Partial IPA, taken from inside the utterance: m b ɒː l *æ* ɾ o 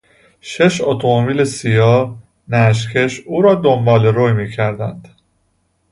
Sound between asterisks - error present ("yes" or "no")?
yes